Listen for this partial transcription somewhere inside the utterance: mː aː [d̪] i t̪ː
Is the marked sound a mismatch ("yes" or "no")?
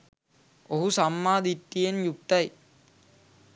no